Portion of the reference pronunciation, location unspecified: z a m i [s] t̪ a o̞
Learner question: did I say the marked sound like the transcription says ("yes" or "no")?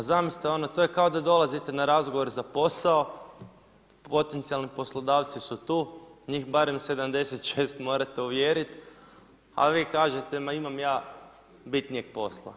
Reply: yes